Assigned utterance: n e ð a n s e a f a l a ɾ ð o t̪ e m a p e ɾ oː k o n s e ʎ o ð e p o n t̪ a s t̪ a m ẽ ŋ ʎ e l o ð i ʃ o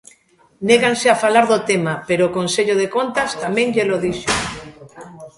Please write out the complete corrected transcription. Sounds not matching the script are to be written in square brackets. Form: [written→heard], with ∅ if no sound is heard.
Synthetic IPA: n e [ð→ɣ] a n s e a f a l a ɾ ð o t̪ e m a p e ɾ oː k o n s e ʎ o ð e [p→k] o n t̪ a s t̪ a m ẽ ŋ ʎ e l o ð i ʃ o